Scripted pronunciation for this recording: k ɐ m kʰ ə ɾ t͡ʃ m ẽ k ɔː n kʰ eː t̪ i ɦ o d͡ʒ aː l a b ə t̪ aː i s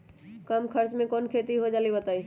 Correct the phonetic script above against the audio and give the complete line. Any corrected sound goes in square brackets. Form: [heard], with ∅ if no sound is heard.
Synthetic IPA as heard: k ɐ m kʰ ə ɾ t͡ʃ m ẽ k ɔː n kʰ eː t̪ i ɦ o d͡ʒ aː l [i] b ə t̪ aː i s